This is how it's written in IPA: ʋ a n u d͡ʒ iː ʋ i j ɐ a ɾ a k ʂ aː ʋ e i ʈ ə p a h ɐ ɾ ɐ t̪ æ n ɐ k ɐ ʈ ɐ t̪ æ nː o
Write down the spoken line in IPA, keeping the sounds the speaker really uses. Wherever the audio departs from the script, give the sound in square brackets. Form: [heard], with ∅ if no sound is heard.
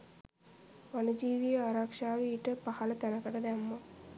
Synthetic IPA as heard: ʋ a n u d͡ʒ iː ʋ i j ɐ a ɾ a k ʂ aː ʋ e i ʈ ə p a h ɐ [l] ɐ t̪ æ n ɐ k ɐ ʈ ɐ [d̪] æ [mː] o